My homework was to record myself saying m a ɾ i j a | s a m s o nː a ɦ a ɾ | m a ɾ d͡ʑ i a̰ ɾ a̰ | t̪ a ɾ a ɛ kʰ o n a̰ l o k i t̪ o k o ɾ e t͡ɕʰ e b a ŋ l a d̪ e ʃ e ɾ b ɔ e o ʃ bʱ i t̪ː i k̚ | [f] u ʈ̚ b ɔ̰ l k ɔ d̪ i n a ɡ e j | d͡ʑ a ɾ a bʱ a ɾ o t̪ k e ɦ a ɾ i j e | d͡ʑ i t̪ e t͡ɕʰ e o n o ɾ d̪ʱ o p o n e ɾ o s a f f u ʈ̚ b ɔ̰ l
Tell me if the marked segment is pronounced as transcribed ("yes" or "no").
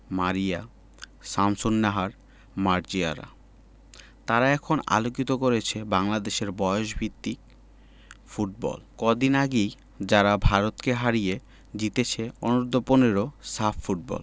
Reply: yes